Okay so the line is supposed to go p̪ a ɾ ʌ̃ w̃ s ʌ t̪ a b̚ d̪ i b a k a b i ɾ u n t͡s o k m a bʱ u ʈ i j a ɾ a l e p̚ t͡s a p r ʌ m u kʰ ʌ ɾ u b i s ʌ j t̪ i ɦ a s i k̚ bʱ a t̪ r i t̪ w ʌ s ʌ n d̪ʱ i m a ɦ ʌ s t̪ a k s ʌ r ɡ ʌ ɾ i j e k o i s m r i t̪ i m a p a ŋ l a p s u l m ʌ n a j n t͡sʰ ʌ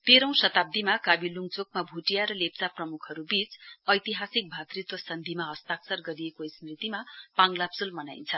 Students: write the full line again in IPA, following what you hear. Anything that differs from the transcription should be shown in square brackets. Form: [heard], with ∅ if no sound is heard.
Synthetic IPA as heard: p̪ [e] ɾ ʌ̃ w̃ s ʌ t̪ a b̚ d̪ i [m] a k a b i [l] u [ŋ] t͡s o k m a bʱ u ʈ i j a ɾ [ʌ] l e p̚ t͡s a p r ʌ m u kʰ ʌ ɾ u b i [t͡s] ʌ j t̪ i ɦ a s i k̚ bʱ a t̪ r i t̪ w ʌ s ʌ n d̪ʱ i m a ɦ ʌ s t̪ a k s ʌ r ɡ ʌ ɾ i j e k o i s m r i t̪ i m a p a ŋ l a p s u l m ʌ n a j n t͡sʰ ʌ